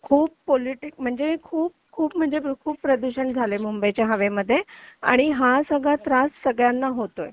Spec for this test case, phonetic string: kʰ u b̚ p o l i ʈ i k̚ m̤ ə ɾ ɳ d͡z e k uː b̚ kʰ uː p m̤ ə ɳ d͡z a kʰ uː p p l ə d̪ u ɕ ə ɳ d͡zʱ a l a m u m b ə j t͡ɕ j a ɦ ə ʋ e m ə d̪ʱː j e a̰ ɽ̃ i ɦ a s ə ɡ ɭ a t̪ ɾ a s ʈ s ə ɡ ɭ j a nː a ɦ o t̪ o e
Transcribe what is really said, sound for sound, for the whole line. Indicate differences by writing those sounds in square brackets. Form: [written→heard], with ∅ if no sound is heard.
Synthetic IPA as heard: kʰ [u→uː] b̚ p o l i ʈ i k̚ m̤ ə [ɾ→∅] ɳ d͡z e [k→kʰ] uː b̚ kʰ uː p m̤ ə ɳ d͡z [a→e] kʰ uː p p [l→ɾ] ə d̪ u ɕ ə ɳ d͡zʱ a l [a→e] m u m b ə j t͡ɕ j a ɦ ə ʋ e m ə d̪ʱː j e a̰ ɽ̃ i ɦ a s ə ɡ ɭ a t̪ ɾ a s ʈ s ə ɡ ɭ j a nː a ɦ o t̪ o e

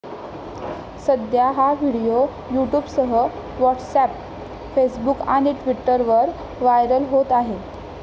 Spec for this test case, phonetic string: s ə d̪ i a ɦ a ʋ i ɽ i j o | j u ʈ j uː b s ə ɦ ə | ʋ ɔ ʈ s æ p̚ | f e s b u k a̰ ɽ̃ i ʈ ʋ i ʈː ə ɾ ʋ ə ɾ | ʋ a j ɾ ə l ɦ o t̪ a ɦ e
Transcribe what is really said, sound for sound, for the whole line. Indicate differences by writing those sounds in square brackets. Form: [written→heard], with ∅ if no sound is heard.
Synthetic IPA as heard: s ə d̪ [i→j] a ɦ a ʋ i ɽ i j o | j u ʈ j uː b s ə ɦ ə | ʋ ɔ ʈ s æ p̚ | f e s b u k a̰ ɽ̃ i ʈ ʋ i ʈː ə ɾ ʋ ə ɾ | ʋ a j ɾ ə l ɦ o t̪ a ɦ e

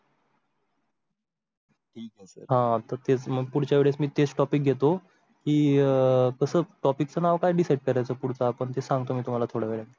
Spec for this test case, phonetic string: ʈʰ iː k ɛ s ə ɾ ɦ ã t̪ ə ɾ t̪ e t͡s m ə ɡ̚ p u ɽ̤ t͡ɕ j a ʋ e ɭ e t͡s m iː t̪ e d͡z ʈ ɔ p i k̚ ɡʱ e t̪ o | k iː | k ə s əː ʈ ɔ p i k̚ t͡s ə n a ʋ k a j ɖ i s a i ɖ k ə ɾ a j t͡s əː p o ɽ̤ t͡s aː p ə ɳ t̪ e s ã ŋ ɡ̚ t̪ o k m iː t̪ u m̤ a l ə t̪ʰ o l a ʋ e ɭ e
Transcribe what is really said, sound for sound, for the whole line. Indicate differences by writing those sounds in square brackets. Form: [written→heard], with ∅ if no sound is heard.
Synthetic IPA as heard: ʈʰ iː k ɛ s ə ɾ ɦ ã t̪ ə ɾ t̪ e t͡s m ə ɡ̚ p u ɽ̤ t͡ɕ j a ʋ e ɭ e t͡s m iː t̪ e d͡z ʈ ɔ p i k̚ ɡʱ e t̪ o | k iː | k ə s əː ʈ ɔ p i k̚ t͡s ə n a ʋ k a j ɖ i s a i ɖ k ə ɾ a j t͡s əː p [o→u] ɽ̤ t͡s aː p ə ɳ t̪ e s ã ŋ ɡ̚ t̪ o [k→∅] m iː t̪ u m̤ a l [ə→a] t̪ʰ o [l→ɽ] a ʋ e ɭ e

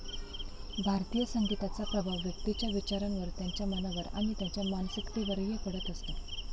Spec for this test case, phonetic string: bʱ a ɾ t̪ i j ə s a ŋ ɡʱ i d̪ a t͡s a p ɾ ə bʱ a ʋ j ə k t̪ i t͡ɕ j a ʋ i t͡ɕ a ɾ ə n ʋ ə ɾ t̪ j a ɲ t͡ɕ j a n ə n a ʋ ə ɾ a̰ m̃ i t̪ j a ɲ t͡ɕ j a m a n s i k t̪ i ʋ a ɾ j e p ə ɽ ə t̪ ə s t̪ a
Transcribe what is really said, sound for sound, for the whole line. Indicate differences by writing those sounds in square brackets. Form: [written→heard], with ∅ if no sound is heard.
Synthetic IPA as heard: bʱ a ɾ t̪ i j ə s [a→ə] ŋ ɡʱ i [d̪→t̪] a t͡s a p ɾ ə bʱ a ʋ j ə k t̪ i t͡ɕ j a ʋ i t͡ɕ a ɾ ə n ʋ ə ɾ t̪ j a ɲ t͡ɕ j a [n→m] ə n a ʋ ə ɾ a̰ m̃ i t̪ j a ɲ t͡ɕ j a m a n s i k t̪ i ʋ [a→ə] ɾ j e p ə ɽ ə t̪ ə s t̪ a

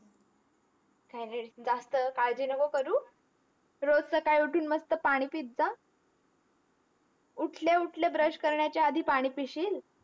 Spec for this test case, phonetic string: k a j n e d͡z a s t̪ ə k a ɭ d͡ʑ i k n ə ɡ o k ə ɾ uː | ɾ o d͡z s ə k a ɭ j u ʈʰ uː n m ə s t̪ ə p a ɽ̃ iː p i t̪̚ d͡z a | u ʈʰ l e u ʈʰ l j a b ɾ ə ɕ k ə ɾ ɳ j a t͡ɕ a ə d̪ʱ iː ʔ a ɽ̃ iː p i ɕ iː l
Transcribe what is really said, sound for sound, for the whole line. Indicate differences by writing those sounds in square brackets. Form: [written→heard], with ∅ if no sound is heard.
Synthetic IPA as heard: k a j n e d͡z a s t̪ ə k a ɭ d͡ʑ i [k→∅] n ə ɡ o k ə ɾ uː | ɾ o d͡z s ə k a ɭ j u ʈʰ uː n m ə s t̪ ə p a ɽ̃ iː p i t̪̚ d͡z a | u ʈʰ l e u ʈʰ l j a b ɾ ə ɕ k ə ɾ ɳ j a t͡ɕ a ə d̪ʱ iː [ʔ→p] a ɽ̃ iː p i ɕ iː l

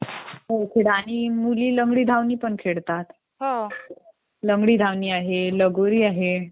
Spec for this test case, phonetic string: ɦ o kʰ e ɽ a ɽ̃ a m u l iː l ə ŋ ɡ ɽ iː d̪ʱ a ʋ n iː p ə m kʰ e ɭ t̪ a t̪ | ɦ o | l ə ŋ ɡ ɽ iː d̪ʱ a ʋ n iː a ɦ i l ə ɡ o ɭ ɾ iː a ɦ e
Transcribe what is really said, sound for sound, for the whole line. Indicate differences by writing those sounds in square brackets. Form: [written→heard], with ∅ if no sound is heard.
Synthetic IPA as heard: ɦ o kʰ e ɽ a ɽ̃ [a→i] m u l iː l ə ŋ ɡ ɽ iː d̪ʱ a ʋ n iː p ə [m→ɳ] kʰ e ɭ t̪ a t̪ | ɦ o | l ə ŋ ɡ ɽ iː d̪ʱ a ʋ n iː a ɦ [i→e] l ə ɡ o [ɭ→∅] ɾ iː a ɦ e

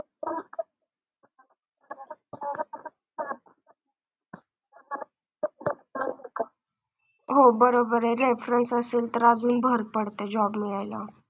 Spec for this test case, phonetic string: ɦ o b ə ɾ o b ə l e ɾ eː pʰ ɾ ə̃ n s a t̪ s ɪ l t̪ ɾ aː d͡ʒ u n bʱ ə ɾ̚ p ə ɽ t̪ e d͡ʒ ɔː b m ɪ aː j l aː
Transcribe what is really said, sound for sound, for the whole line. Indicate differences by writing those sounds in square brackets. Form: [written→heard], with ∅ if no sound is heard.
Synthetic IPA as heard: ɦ o b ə ɾ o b ə [l→ɾ] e ɾ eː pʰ ɾ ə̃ n s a [t̪→∅] s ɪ l t̪ ɾ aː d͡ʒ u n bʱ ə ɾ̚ p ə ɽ t̪ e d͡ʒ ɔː b m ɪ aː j l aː

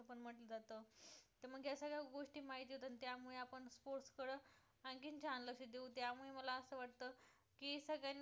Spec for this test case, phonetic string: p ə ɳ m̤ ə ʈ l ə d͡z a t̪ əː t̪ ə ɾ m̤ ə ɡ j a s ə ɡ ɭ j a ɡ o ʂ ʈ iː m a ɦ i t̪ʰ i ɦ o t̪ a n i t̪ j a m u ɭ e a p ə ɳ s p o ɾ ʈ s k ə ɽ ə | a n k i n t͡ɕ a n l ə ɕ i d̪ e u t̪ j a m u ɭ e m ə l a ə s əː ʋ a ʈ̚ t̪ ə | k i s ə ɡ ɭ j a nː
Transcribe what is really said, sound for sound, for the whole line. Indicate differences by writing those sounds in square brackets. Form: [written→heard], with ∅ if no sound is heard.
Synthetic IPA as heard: p ə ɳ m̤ ə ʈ l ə d͡z a t̪ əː t̪ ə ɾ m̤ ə ɡ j a s ə ɡ ɭ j a ɡ o ʂ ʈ iː m a ɦ i [t̪ʰ→t̪] i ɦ o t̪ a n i t̪ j a m u ɭ e a p ə ɳ s p o ɾ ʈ s k ə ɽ ə | a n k i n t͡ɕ a n l ə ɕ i d̪ e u t̪ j a m u ɭ e m ə l a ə s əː ʋ a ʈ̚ t̪ ə | k i s ə ɡ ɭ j a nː

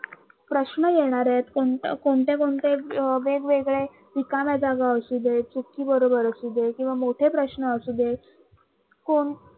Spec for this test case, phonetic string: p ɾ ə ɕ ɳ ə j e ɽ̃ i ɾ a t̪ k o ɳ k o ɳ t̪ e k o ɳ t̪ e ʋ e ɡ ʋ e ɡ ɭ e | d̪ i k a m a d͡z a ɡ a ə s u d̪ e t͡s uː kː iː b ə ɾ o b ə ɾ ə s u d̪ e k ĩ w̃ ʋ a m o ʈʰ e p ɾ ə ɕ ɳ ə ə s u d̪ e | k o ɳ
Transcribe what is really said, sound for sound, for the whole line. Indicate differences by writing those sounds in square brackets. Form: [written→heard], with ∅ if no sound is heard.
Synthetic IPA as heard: p ɾ ə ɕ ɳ ə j e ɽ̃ [i→a] ɾ [a→e] t̪ k o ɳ k o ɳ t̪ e k o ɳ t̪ e ʋ e ɡ ʋ e ɡ ɭ e | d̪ i k a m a d͡z a ɡ a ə s u d̪ e t͡s [uː→u] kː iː b ə ɾ o b ə ɾ ə s u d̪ e k ĩ w̃ ʋ a m o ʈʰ e p ɾ ə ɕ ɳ ə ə s u d̪ e | k o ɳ

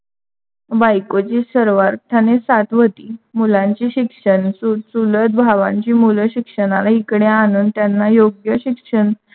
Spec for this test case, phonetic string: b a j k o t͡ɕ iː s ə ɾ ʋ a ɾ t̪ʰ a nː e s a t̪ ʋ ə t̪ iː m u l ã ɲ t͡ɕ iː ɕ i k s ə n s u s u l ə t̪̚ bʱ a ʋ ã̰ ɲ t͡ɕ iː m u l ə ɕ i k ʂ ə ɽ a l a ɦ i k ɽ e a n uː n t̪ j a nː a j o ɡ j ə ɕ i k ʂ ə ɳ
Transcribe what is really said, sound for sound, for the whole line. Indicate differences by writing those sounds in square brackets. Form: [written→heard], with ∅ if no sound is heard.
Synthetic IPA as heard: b a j k o t͡ɕ iː s ə ɾ ʋ a ɾ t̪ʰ a [nː→n] e s a t̪ ʋ ə t̪ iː m u l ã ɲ t͡ɕ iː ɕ i k [s→ʂ] ə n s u s u l ə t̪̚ bʱ a ʋ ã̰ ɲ t͡ɕ iː m u l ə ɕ i k ʂ ə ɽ a l a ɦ i k ɽ e a n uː n t̪ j a nː a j o ɡ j ə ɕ i k ʂ ə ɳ

